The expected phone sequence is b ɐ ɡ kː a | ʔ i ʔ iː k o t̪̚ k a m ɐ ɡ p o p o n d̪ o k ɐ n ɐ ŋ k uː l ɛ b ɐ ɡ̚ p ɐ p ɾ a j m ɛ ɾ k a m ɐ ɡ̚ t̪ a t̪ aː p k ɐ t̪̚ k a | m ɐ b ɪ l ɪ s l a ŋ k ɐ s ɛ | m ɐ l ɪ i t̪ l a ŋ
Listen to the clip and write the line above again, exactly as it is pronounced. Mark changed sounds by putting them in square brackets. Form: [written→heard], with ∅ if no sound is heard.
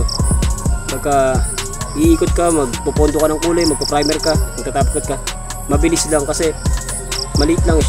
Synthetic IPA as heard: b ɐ ɡ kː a | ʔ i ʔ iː k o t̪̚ k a m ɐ ɡ p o p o n d̪ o k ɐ n ɐ ŋ k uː l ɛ [b→m] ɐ ɡ̚ p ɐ p ɾ a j m ɛ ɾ k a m ɐ ɡ̚ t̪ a t̪ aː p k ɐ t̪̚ k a | m ɐ b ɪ l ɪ s l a ŋ k ɐ s ɛ | m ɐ l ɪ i t̪ l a ŋ